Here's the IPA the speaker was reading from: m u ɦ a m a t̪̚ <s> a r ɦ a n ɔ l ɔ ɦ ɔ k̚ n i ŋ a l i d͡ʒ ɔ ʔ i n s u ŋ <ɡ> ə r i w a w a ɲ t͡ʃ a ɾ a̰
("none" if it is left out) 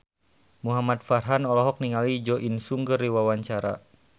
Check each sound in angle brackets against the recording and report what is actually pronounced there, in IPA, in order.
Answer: f, ɡ

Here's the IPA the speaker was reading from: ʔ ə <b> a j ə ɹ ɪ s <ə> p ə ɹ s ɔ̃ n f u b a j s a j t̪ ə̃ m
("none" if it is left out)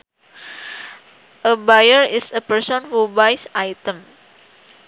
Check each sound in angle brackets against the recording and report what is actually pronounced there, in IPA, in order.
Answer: b, ə

